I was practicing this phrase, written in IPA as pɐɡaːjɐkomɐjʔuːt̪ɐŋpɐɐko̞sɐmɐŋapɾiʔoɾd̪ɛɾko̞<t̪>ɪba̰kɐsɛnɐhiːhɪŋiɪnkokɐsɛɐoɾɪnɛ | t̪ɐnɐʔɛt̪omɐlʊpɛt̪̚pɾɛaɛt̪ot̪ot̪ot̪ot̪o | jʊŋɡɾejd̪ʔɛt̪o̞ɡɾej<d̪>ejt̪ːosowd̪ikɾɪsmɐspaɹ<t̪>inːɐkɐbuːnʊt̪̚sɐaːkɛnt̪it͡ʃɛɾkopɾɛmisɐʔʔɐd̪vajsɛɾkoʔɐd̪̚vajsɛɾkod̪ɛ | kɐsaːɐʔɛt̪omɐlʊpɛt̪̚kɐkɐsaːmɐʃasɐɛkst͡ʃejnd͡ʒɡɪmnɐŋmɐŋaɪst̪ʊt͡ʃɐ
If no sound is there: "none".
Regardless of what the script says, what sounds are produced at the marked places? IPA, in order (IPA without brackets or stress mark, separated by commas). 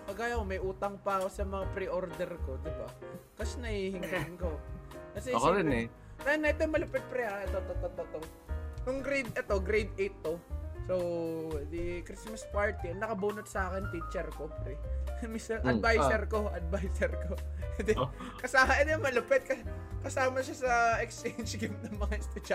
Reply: d̪, d̪, t̪